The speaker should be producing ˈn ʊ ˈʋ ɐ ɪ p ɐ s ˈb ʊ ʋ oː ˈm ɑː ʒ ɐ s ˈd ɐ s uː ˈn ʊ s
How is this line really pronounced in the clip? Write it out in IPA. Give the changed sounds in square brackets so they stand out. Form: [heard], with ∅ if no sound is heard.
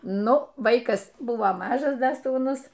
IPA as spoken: ˈn ʊ ˈʋ ɐ ɪ [k] ɐ s ˈb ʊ ʋ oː ˈm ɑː ʒ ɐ s ˈd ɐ s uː ˈn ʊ s